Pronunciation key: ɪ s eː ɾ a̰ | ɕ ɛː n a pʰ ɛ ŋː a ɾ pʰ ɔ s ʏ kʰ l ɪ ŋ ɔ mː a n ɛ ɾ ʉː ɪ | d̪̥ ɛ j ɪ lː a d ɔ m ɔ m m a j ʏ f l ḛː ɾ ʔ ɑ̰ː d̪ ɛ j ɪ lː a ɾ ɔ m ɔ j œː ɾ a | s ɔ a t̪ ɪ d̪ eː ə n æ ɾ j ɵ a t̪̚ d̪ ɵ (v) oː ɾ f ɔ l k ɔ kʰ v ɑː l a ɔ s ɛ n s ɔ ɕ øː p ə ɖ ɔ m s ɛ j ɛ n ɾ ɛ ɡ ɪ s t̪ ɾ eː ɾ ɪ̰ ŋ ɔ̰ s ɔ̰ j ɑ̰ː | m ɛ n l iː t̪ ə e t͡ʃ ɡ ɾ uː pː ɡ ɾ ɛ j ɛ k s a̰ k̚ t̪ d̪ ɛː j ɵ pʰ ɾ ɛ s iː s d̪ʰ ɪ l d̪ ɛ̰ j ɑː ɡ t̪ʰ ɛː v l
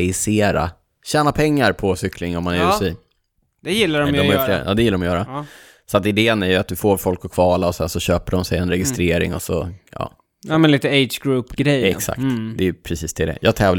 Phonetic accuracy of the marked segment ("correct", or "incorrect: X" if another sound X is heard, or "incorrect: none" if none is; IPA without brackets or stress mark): incorrect: f